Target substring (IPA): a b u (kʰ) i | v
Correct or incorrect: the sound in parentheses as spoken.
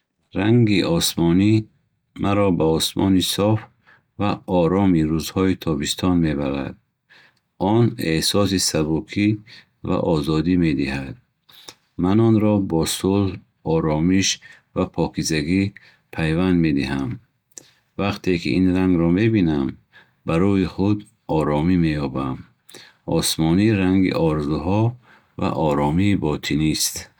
correct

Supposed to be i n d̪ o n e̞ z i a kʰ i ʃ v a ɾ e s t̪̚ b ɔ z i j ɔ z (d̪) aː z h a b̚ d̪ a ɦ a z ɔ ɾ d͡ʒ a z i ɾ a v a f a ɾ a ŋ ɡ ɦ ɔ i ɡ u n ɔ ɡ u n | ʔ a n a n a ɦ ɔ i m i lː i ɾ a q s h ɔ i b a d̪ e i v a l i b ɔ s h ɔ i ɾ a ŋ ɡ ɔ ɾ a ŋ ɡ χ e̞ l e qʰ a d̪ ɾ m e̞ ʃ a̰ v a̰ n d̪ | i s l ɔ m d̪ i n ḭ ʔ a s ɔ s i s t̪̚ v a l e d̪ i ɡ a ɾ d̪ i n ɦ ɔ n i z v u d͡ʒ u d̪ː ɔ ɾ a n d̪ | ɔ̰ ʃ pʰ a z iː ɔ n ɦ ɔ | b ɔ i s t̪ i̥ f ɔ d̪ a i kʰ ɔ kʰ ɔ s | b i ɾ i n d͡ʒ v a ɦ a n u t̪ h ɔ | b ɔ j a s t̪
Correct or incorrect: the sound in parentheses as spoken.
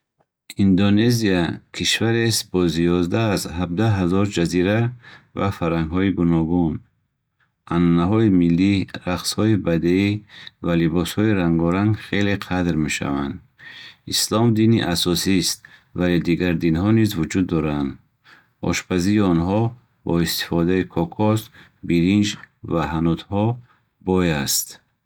correct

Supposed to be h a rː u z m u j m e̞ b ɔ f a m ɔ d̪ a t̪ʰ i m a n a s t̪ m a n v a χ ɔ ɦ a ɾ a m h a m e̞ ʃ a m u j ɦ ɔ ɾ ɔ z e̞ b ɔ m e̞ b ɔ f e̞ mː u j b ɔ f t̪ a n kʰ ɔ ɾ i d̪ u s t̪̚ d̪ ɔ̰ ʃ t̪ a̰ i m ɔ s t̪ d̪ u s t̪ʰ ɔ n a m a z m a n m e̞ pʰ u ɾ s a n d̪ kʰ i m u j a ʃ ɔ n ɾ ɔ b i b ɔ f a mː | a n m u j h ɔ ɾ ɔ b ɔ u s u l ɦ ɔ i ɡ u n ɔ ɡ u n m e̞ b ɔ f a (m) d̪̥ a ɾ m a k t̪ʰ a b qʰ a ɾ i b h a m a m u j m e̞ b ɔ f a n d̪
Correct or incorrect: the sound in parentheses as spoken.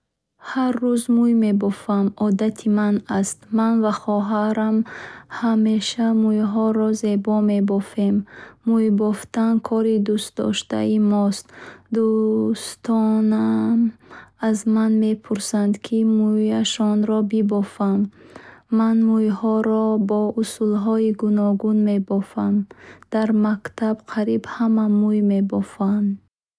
correct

